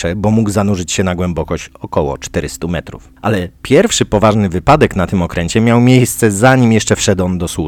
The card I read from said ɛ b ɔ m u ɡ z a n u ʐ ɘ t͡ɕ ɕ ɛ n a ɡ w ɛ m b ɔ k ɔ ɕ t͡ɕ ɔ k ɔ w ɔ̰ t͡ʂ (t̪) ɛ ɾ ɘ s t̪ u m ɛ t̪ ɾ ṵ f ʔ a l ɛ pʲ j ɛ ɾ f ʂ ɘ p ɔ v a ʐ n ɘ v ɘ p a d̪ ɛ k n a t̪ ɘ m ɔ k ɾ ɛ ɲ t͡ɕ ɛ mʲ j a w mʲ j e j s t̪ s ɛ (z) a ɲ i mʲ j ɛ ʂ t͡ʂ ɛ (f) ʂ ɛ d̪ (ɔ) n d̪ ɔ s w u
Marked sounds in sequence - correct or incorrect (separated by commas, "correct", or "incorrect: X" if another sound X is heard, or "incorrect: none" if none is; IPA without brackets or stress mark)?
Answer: correct, correct, correct, correct